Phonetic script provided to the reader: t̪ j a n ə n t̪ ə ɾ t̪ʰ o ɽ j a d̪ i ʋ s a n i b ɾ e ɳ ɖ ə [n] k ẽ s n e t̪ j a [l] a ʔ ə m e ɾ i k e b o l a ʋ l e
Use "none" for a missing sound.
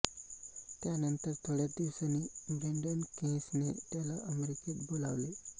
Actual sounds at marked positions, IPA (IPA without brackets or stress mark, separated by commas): n, l